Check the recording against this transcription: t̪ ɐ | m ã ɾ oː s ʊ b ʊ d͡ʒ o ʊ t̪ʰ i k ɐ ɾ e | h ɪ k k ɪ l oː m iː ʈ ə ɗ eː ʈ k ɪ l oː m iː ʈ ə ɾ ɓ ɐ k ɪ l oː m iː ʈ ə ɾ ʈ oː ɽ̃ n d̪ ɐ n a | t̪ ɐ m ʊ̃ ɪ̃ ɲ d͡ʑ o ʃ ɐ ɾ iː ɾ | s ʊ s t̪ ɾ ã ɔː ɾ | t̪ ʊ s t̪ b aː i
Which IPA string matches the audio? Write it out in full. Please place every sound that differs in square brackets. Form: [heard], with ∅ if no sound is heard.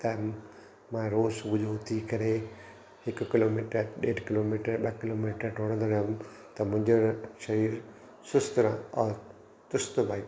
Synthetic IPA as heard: t̪ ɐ | m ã ɾ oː s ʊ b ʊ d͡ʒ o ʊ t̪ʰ i k ɐ ɾ e | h ɪ k k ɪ l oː m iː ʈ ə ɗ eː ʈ k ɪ l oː m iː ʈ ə ɾ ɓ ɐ k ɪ l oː m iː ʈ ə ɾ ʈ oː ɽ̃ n d̪ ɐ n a | t̪ ɐ m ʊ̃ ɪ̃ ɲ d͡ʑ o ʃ ɐ ɾ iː ɾ | s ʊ s t̪ ɾ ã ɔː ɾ | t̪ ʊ s t̪ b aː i